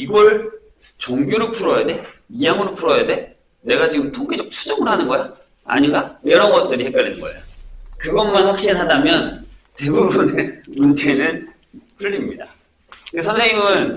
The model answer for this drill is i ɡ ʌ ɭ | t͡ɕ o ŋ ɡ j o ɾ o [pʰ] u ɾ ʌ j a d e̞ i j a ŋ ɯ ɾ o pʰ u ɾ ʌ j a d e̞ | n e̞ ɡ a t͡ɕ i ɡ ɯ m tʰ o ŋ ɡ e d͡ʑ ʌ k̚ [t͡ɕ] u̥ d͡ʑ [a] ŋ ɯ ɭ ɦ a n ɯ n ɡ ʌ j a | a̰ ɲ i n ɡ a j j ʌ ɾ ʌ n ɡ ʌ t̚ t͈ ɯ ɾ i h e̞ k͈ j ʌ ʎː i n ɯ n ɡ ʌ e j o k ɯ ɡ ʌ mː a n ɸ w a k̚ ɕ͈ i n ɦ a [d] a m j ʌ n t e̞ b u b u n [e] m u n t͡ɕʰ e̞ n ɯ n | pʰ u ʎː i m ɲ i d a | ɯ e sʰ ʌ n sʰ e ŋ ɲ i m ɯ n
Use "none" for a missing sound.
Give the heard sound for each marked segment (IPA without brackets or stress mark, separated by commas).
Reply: pʰ, t͡ɕʰ, ʌ, d, e